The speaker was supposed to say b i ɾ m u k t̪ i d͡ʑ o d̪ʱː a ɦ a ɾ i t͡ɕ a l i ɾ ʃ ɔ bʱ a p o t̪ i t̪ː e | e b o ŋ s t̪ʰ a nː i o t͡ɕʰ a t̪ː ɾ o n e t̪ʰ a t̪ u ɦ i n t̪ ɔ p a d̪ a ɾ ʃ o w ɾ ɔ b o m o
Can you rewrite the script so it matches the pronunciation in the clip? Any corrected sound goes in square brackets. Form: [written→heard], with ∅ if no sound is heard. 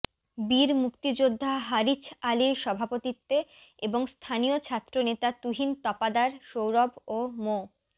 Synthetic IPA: b i ɾ m u k t̪ i d͡ʑ o d̪ʱː a ɦ a ɾ i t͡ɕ a l i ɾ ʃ ɔ bʱ a p o t̪ i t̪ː e | e b o ŋ s t̪ʰ a [nː→n] i o t͡ɕʰ a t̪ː ɾ o n e [t̪ʰ→t̪] a t̪ u ɦ i n t̪ ɔ p a d̪ a ɾ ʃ o w ɾ ɔ b o m o

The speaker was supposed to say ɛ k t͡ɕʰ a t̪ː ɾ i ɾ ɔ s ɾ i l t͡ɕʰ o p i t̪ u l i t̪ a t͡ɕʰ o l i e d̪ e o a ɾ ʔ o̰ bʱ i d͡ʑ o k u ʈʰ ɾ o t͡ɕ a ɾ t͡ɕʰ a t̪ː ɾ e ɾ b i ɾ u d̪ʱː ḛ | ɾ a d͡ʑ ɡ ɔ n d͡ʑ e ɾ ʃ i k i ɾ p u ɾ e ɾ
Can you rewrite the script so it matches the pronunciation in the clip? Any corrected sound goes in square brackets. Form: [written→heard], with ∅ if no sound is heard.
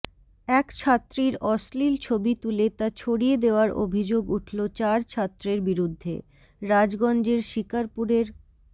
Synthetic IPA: ɛ k t͡ɕʰ a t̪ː ɾ i ɾ ɔ s [ɾ→l] i l t͡ɕʰ o [p→b] i t̪ u l [i→e] t̪ a t͡ɕʰ o [l→ɽ] i e d̪ e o a ɾ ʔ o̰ bʱ i d͡ʑ o [k→ɡ] u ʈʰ [ɾ→l] o t͡ɕ a ɾ t͡ɕʰ a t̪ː ɾ e ɾ b i ɾ u d̪ʱː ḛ | ɾ a d͡ʑ ɡ ɔ n d͡ʑ e ɾ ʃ i k [i→a] ɾ p u ɾ e ɾ

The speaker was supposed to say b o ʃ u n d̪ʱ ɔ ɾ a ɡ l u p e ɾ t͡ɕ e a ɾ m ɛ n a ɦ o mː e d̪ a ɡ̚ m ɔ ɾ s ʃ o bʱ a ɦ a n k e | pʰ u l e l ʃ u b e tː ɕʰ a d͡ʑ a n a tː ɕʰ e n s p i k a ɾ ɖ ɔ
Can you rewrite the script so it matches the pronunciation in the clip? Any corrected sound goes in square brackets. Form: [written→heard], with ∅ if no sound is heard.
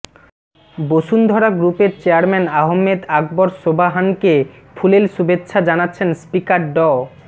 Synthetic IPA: b o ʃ u n d̪ʱ ɔ ɾ a ɡ [l→ɾ] u p e ɾ t͡ɕ e a ɾ m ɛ n a ɦ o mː e d̪ a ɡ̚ [m→b] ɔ ɾ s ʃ o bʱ a ɦ a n k e | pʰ u l e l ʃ u b e tː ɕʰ a d͡ʑ a n a tː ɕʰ e n s p i k a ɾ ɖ ɔ

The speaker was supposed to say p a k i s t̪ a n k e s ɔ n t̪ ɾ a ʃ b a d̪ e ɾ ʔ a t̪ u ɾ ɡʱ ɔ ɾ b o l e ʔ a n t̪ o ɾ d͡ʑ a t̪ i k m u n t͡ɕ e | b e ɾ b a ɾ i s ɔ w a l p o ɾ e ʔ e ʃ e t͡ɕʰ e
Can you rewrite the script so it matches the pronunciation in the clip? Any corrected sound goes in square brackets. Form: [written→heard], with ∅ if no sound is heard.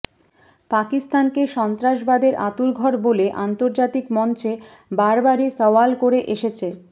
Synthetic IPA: p a k i s t̪ a n k e [s→ʃ] ɔ n t̪ ɾ a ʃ b a d̪ e ɾ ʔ a t̪ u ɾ ɡʱ ɔ ɾ b o l e ʔ a n t̪ o ɾ d͡ʑ a t̪ i k m [u→ɔ] n t͡ɕ e | b [e→a] ɾ b a ɾ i s ɔ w a l [p→k] o ɾ e ʔ e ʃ e t͡ɕʰ e

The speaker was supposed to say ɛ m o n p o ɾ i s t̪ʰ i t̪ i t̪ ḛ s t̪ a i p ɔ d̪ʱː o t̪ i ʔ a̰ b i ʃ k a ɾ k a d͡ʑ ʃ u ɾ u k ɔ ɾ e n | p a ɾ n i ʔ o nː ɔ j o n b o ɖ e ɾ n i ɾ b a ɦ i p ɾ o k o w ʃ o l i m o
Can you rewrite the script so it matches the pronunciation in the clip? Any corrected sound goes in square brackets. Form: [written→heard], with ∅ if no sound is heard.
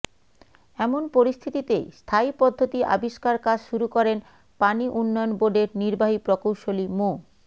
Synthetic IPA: ɛ m o n p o ɾ i s t̪ʰ i t̪ i t̪ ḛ s [t̪→t̪ʰ] a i p ɔ d̪ʱː o t̪ i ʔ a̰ b i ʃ k a ɾ k a d͡ʑ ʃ u ɾ u k ɔ ɾ e n | p a [ɾ→∅] n i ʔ [o→u] nː ɔ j o n b o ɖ e ɾ n i ɾ b a ɦ i p ɾ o k o w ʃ o l i m o

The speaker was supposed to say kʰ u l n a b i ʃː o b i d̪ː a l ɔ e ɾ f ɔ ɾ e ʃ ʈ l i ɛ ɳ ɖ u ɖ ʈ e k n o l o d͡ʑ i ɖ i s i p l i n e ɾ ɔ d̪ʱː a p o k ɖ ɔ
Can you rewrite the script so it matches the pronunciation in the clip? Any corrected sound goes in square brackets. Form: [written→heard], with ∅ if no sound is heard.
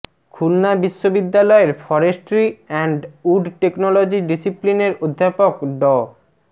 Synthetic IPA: kʰ u l n a b i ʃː o b i d̪ː a l ɔ e ɾ f ɔ ɾ e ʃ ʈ [l→ɾ] i ɛ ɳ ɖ u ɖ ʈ e k n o l o d͡ʑ i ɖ i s i p l i n e ɾ [ɔ→o] d̪ʱː a p o k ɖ ɔ

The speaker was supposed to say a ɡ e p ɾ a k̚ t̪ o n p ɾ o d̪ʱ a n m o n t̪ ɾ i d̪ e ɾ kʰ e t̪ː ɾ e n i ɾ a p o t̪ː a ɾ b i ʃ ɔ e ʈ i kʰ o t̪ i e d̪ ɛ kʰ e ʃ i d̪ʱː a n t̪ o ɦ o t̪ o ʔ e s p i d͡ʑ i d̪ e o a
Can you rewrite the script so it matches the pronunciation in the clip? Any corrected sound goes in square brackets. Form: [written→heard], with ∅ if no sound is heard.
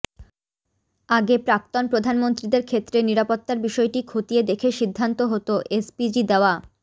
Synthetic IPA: a ɡ e p ɾ a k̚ t̪ o n p ɾ o d̪ʱ a n m o n t̪ ɾ i d̪ e ɾ kʰ e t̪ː ɾ e n i ɾ a p o t̪ː a ɾ b i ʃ ɔ e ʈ i kʰ o t̪ i e d̪ [ɛ→e] kʰ e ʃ i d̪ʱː a n t̪ o ɦ o t̪ o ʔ e s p i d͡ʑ i d̪ e o a

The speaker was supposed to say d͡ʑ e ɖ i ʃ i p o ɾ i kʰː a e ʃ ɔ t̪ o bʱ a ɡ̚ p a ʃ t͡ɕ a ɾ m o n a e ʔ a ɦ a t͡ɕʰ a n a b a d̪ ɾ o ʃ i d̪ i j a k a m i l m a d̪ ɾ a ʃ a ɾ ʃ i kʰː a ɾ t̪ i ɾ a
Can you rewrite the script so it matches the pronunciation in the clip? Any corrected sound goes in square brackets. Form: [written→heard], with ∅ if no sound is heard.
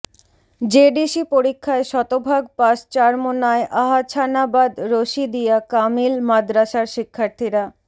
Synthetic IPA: d͡ʑ e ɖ i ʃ i p o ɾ i kʰː a e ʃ ɔ t̪ o bʱ a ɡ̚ p a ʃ t͡ɕ a ɾ m o n a e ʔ a ɦ a t͡ɕʰ a n a b a d̪ ɾ o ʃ i d̪ i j a k a m i l m a d̪ ɾ a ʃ a ɾ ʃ i kʰː a ɾ [t̪→t̪ʰ] i ɾ a

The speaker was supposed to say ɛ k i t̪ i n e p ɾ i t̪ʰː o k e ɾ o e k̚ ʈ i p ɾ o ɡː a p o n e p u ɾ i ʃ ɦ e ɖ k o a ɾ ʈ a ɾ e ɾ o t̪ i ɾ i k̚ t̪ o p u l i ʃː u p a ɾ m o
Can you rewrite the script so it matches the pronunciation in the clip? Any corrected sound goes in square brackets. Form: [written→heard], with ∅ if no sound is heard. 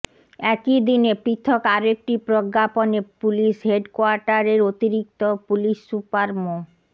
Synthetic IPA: ɛ k i [t̪→d̪] i n e p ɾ i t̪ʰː o k [e→a] ɾ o e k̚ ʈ i p ɾ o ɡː a p o n e p u [ɾ→l] i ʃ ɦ e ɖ k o a ɾ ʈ a ɾ e ɾ o t̪ i ɾ i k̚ t̪ o p u l i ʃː u p a ɾ m o

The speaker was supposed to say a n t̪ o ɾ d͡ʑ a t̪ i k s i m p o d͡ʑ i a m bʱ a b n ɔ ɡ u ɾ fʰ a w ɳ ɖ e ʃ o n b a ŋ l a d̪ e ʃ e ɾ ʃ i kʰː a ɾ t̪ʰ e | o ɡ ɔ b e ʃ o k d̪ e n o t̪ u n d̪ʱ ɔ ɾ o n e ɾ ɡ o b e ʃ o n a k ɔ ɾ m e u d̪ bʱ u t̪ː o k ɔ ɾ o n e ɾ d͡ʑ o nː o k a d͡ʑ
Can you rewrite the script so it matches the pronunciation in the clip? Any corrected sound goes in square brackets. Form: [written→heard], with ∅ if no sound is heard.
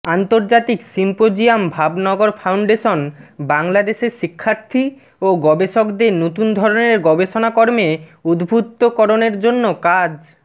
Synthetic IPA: a n t̪ o ɾ d͡ʑ a t̪ i k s i m p o d͡ʑ i a m bʱ a b n ɔ ɡ [u→o] ɾ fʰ a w ɳ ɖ e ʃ o n b a ŋ l a d̪ e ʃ e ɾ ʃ i kʰː a ɾ t̪ʰ [e→i] | o ɡ ɔ b e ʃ o k d̪ e n o t̪ u n d̪ʱ ɔ ɾ o n e ɾ ɡ [o→ɔ] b e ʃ o n a k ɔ ɾ m e u d̪ bʱ u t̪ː o k ɔ ɾ o n e ɾ d͡ʑ o nː o k a d͡ʑ

